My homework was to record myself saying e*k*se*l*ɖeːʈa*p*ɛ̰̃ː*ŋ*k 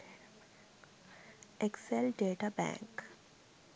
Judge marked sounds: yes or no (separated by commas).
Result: yes, yes, no, yes